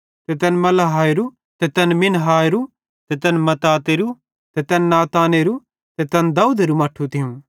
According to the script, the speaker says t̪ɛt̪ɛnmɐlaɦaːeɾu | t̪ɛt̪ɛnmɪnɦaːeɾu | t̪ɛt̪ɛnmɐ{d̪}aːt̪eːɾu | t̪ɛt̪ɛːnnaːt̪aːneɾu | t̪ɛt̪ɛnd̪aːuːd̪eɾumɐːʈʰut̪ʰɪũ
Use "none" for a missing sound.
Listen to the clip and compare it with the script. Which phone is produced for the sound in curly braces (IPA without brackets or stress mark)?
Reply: t̪